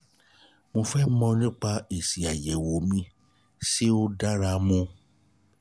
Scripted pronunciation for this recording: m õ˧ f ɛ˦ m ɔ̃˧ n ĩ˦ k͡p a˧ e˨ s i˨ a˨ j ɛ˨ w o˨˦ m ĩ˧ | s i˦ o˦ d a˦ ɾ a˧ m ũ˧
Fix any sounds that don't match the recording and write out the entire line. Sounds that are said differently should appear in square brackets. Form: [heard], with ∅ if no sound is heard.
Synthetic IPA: m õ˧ f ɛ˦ m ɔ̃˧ n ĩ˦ k͡p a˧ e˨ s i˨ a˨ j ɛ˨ w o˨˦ m ĩ˧ | s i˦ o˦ d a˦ ɾ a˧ m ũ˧